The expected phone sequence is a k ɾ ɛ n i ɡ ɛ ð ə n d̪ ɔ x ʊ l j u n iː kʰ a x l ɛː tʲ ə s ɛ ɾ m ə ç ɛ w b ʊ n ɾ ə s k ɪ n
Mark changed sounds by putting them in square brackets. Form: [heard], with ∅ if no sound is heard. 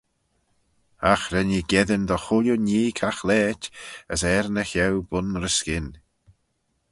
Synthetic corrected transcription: a [x] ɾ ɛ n i ɡ ɛ ð ə n d̪ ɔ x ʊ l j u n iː kʰ a x l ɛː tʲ ə s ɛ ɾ [n] ə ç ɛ w b ʊ n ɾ ə s k ɪ n

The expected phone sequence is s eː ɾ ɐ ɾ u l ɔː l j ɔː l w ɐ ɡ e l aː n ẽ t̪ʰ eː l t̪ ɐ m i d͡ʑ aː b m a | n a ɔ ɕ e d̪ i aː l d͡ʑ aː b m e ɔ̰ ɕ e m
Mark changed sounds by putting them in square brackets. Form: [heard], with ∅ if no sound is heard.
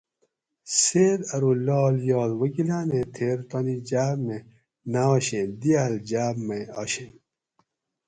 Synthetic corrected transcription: s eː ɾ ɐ ɾ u l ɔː l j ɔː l w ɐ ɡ [i] l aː n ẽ t̪ʰ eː [ɾ] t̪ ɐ [n] i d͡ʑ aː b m [e] | n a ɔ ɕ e d̪ i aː l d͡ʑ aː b m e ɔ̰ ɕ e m

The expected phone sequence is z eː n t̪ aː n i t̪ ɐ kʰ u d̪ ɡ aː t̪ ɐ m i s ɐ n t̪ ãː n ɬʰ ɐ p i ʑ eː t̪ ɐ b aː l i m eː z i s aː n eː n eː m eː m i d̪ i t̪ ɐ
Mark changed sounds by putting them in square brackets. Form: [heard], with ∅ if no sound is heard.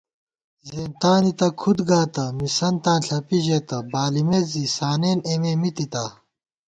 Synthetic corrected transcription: z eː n t̪ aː n i t̪ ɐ kʰ u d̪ ɡ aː t̪ ɐ m i s ɐ n t̪ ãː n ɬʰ ɐ p i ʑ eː t̪ ɐ b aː l i m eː z i s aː n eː n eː m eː m i [t̪] i t̪ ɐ

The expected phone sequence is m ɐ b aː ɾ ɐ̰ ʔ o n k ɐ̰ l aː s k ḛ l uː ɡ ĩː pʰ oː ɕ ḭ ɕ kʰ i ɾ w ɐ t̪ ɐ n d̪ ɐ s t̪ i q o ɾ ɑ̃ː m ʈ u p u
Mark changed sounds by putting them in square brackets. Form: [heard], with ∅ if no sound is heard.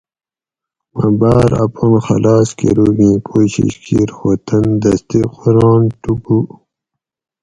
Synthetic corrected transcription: m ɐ b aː ɾ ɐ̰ [p] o n [x] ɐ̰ l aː s k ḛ [ɾ] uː ɡ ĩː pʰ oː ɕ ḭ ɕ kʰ i ɾ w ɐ t̪ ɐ n d̪ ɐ s t̪ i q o ɾ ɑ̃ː [n] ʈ u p u

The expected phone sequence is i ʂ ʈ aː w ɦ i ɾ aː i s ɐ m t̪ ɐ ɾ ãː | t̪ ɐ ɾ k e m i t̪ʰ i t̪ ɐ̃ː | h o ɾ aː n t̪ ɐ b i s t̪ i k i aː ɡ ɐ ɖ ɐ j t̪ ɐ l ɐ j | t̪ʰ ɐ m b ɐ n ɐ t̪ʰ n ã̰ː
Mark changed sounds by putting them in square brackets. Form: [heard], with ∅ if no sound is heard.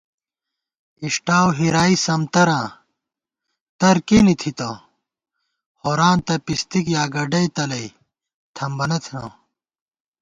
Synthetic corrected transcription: i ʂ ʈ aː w ɦ i ɾ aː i s ɐ m t̪ ɐ ɾ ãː | t̪ ɐ ɾ k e [n] i t̪ʰ i t̪ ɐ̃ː | h o ɾ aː n t̪ ɐ [p] i s t̪ i k [j] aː ɡ ɐ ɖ ɐ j t̪ ɐ l ɐ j | t̪ʰ ɐ m b ɐ n ɐ t̪ʰ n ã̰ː

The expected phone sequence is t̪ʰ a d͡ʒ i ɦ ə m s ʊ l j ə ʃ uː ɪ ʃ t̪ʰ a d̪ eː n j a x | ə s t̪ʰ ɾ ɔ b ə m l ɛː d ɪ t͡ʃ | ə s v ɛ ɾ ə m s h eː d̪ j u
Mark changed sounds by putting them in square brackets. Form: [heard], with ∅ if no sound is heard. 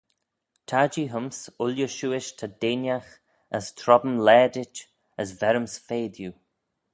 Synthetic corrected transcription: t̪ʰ a d͡ʒ i ɦ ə m s ʊ l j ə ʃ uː ɪ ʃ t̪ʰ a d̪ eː n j a x | ə s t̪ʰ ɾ ɔ b ə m l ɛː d ɪ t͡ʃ | ə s v ɛ ɾ ə m s [f] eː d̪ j u

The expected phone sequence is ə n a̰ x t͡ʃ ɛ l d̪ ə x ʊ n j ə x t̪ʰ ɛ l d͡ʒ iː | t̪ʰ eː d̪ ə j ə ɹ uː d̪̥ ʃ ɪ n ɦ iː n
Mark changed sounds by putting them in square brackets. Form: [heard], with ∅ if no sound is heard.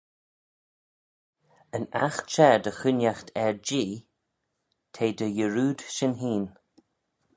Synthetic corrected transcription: ə n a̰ x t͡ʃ ɛ [ɹ] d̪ ə x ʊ n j [a] x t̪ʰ ɛ [ɹ] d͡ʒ iː | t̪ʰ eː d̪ ə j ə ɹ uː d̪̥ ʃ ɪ n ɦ iː n

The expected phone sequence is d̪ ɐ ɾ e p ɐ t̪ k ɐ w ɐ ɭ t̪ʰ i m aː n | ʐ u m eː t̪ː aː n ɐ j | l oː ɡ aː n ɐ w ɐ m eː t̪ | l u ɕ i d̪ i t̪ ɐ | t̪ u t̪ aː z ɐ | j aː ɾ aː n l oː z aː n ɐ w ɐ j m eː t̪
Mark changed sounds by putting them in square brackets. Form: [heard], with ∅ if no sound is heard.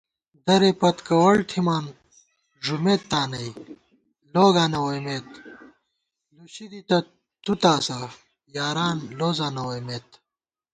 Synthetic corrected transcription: d̪ ɐ ɾ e p ɐ t̪ k ɐ w ɐ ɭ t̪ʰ i m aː n | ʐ u m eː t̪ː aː n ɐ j | l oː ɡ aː n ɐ w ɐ m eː t̪ | l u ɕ i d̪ i t̪ ɐ | t̪ u t̪ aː [s] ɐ | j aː ɾ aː n l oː z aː n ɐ w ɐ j m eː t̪

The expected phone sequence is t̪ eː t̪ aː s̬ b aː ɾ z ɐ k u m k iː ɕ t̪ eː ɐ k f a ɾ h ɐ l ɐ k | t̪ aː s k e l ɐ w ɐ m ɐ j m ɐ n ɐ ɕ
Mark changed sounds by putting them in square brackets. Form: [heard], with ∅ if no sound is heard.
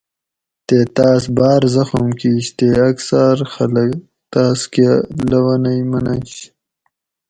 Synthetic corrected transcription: t̪ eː t̪ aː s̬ b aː ɾ z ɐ [x] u m k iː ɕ t̪ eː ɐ k [s] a ɾ [x] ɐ l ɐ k | t̪ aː s k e l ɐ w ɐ [n] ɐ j m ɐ n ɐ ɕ

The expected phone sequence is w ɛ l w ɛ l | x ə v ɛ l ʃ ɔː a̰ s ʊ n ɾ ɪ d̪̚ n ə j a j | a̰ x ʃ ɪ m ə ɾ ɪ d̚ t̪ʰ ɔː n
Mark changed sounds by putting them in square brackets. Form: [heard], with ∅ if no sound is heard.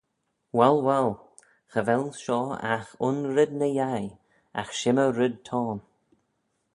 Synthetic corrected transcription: w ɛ l w ɛ l | x ə v ɛ l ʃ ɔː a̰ [x] ʊ n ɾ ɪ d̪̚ n ə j a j | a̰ x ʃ ɪ m ə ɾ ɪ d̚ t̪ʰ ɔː n

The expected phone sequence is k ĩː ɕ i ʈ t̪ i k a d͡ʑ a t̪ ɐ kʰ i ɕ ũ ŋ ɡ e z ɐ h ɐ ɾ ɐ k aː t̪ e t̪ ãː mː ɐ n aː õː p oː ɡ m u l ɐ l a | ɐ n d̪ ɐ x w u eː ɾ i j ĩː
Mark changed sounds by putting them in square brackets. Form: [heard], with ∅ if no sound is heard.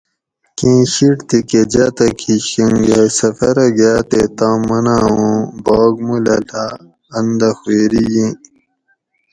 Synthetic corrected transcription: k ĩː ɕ i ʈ t̪ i k [e] d͡ʑ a t̪ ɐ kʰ i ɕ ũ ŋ ɡ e [s] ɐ [f] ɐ ɾ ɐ [ɡ] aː t̪ e t̪ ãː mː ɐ n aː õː [b] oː ɡ m u l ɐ l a | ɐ n d̪ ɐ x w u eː ɾ i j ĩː

